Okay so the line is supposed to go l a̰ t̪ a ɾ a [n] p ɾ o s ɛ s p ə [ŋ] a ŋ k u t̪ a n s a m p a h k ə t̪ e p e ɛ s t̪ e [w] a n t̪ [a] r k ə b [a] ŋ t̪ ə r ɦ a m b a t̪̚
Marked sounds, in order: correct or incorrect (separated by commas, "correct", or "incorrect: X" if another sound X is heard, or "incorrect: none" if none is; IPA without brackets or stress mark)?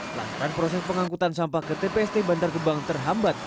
correct, correct, incorrect: b, correct, correct